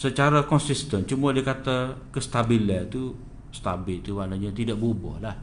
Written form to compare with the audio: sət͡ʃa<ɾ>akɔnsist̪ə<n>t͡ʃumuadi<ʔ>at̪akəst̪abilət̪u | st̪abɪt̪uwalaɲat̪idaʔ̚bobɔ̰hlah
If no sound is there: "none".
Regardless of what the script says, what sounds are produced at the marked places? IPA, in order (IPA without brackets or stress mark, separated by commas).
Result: ɾ, n, k